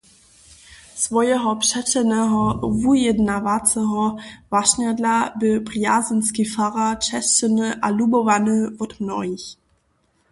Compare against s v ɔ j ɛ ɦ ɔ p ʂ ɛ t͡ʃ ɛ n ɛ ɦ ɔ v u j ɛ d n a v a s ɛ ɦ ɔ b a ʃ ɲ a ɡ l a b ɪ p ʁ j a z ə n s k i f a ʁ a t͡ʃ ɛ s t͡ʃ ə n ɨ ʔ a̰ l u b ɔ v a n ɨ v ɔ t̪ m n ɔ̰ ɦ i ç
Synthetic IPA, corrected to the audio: s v ɔ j ɛ ɦ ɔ p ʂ ɛ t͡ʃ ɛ n ɛ ɦ ɔ v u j ɛ d n a v a t͡s ɛ ɦ ɔ v a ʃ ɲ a d l a b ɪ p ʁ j a z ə n s k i f a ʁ a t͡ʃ ɛ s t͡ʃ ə n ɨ ʔ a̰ l u b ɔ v a n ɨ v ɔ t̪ m n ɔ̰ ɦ i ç